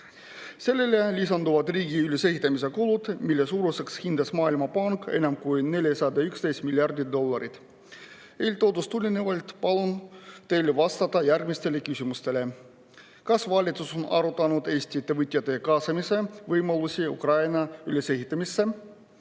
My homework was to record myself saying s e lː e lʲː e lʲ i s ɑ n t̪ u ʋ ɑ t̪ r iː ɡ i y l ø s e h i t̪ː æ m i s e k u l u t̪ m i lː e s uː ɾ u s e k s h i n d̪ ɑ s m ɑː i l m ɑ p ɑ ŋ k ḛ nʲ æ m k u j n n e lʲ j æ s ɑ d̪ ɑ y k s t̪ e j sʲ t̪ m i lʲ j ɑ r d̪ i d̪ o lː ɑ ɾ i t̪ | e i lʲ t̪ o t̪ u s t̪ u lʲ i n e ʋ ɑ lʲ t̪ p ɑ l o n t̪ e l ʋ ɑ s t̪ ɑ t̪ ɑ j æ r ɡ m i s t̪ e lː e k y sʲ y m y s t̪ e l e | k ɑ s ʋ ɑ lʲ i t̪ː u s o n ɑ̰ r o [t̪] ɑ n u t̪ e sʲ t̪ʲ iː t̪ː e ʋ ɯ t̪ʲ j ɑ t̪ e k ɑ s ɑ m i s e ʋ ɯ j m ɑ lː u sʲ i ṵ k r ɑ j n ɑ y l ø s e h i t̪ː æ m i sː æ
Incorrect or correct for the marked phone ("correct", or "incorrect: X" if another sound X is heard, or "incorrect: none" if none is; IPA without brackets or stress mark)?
correct